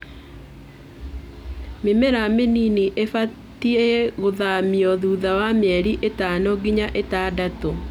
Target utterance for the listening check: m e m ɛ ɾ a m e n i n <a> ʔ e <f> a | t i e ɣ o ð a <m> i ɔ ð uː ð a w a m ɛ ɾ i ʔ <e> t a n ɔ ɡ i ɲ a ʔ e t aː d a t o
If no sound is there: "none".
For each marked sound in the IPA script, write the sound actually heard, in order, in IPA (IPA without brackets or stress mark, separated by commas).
i, f, m, e